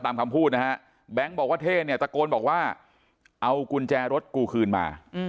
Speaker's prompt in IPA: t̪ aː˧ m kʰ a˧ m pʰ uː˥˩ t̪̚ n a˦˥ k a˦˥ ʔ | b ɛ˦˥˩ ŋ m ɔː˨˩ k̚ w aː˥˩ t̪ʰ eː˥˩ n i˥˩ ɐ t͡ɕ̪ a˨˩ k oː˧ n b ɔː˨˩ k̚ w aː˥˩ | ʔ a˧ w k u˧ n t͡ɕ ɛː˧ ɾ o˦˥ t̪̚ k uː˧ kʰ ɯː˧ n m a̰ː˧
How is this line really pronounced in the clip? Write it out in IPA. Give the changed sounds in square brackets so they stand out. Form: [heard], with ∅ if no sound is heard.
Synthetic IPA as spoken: t̪ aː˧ m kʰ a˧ m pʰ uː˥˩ t̪̚ n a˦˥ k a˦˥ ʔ | b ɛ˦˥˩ ŋ [b] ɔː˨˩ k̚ w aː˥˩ t̪ʰ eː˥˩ n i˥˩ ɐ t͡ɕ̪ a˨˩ k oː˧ n b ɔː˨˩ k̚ w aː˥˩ | ʔ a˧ w k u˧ n t͡ɕ ɛː˧ ɾ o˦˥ t̪̚ k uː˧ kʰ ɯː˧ n m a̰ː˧